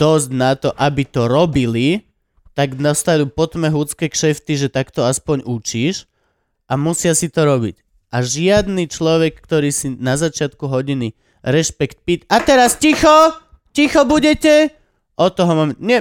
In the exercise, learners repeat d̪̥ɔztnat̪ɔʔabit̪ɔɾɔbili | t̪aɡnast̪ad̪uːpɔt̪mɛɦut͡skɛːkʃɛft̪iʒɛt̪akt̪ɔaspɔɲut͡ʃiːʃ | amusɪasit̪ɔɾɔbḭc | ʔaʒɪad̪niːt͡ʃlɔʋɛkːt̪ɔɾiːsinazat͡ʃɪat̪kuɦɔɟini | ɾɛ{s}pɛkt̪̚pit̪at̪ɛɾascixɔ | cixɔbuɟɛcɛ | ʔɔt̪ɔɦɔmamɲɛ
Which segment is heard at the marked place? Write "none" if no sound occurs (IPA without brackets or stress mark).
ʃ